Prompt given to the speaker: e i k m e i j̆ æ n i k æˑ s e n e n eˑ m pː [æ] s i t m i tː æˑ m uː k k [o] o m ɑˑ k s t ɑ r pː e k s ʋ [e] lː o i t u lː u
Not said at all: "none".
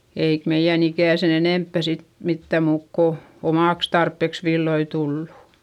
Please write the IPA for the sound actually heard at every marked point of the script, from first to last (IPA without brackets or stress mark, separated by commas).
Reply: æ, o, i